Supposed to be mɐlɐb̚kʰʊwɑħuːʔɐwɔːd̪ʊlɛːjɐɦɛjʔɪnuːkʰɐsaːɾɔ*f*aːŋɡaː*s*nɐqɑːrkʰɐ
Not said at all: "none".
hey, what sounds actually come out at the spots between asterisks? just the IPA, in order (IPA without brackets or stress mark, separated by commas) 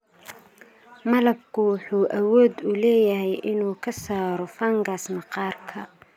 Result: f, s